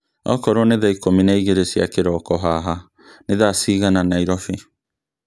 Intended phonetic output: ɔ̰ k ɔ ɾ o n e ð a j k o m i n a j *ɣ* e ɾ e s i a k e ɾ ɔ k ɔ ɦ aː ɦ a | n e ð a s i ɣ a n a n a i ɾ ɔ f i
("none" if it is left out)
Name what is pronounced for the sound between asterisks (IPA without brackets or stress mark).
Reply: ɣ